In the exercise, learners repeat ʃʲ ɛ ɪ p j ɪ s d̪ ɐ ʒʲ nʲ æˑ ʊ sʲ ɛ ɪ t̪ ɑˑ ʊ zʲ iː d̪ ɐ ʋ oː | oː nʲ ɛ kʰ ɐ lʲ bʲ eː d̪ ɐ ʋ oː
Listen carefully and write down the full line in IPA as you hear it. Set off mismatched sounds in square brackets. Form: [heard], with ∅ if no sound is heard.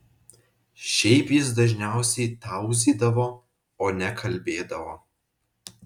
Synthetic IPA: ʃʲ ɛ ɪ p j ɪ s d̪ ɐ ʒʲ nʲ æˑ ʊ sʲ ɛ ɪ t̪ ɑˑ ʊ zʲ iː d̪ ɐ ʋ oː | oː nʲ ɛ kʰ ɐ lʲ bʲ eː d̪ ɐ ʋ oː